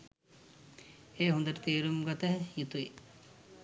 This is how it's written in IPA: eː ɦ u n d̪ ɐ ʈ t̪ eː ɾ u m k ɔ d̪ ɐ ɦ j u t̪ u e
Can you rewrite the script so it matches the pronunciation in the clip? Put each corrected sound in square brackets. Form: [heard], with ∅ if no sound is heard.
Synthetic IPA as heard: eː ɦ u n d̪ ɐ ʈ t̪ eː ɾ u m [ɡ] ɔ [t̪] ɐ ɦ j u t̪ u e